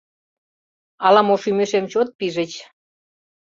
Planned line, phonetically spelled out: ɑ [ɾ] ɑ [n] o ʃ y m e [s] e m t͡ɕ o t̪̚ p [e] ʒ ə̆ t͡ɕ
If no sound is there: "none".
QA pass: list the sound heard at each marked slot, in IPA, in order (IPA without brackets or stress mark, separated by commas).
l, m, ʃ, i